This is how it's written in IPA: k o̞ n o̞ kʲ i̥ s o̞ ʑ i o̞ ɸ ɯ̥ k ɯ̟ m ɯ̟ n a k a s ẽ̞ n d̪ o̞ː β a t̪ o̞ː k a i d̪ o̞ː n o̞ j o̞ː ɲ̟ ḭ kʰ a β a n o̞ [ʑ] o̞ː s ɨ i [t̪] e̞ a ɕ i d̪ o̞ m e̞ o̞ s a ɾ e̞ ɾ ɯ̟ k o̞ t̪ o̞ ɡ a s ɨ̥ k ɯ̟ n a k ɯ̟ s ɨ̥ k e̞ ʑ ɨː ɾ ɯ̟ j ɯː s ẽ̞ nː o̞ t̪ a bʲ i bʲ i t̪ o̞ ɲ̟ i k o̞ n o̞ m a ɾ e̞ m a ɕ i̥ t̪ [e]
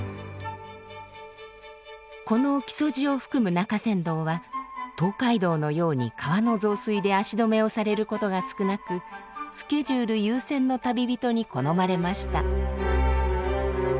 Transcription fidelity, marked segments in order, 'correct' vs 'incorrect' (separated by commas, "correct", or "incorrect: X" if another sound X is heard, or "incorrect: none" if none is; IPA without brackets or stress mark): incorrect: z, incorrect: d̪, incorrect: a